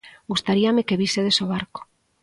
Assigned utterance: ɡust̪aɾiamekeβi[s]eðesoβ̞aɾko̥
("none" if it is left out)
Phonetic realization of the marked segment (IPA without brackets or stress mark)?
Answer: s